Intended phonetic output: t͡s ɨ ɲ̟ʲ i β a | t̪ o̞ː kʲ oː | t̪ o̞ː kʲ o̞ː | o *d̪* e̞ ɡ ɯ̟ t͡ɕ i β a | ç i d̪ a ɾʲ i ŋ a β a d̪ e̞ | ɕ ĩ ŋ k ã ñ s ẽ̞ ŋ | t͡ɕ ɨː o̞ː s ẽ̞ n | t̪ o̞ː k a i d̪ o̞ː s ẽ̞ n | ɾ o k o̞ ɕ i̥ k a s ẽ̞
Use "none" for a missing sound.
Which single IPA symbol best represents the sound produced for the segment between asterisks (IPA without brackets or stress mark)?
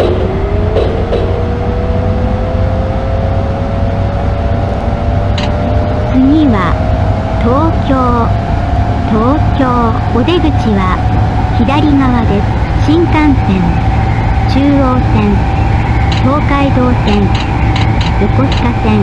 d̪